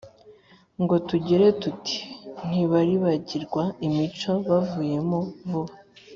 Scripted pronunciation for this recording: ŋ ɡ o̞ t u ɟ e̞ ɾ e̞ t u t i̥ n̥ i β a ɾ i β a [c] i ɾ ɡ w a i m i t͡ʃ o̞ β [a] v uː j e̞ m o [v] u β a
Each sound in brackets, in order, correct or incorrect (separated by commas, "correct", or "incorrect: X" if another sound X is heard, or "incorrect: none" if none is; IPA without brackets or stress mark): incorrect: ɟ, correct, correct